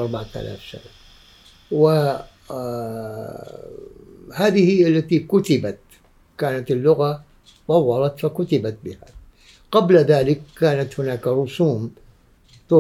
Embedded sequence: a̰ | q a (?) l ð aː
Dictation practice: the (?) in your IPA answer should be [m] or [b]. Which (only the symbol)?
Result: b